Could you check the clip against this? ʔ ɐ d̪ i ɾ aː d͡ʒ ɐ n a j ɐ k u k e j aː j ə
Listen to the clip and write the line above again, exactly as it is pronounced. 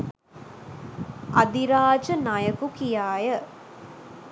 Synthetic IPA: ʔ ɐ d̪ i ɾ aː d͡ʒ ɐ n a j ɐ k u k i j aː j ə